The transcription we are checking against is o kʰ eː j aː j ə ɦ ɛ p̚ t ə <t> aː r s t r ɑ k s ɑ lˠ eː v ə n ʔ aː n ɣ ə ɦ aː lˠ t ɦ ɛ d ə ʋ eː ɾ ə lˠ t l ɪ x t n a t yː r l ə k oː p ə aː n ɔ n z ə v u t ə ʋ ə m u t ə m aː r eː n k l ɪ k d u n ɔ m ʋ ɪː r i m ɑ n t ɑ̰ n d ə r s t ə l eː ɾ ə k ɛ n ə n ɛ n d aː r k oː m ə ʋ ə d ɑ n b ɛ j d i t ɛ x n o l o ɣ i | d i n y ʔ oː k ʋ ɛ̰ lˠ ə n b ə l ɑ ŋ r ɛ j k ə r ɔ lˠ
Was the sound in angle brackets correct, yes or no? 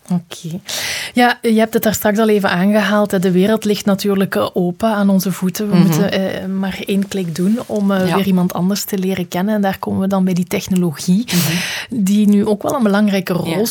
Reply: yes